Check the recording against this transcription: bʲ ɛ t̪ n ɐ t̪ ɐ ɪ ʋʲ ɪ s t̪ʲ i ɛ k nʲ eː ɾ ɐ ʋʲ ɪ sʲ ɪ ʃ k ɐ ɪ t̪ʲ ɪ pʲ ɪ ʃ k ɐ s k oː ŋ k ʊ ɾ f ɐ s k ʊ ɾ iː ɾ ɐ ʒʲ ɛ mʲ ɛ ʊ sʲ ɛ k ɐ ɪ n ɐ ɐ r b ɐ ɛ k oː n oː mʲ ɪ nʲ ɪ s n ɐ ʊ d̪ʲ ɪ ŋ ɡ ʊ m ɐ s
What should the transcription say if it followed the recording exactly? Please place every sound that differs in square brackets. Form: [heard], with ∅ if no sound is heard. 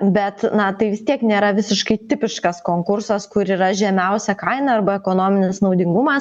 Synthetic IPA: bʲ ɛ t̪ n ɐ t̪ ɐ ɪ ʋʲ ɪ s t̪ʲ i ɛ k nʲ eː ɾ ɐ ʋʲ ɪ sʲ ɪ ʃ k ɐ ɪ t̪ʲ ɪ pʲ ɪ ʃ k ɐ s k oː ŋ k ʊ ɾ [s] ɐ s k ʊ ɾ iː ɾ ɐ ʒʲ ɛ mʲ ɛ ʊ sʲ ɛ k ɐ ɪ n ɐ ɐ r b ɐ ɛ k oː n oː mʲ ɪ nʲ ɪ s n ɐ ʊ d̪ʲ ɪ ŋ ɡ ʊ m ɐ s